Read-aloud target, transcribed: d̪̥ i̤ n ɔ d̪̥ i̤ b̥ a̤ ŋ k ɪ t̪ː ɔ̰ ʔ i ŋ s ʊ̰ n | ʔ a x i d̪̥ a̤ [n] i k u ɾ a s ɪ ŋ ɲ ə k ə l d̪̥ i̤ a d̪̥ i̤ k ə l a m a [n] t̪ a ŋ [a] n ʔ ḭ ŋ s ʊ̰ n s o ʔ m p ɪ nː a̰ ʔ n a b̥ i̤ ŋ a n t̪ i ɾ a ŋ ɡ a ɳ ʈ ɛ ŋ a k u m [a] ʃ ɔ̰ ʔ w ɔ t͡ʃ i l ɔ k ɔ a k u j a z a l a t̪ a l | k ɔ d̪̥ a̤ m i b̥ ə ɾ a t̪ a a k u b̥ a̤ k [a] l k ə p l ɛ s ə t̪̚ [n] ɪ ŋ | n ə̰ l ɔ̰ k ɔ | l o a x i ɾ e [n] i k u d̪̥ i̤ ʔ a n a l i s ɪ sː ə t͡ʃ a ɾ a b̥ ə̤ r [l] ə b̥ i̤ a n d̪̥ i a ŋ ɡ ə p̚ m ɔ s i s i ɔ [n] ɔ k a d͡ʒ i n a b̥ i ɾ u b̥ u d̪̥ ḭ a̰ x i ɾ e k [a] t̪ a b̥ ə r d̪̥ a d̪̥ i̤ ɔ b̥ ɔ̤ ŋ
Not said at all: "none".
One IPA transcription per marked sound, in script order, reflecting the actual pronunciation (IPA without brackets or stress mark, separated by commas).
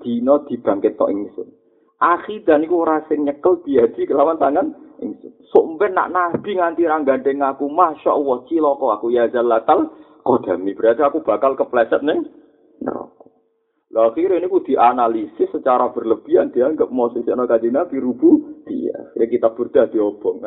n, n, a, a, a, n, n, l, n, i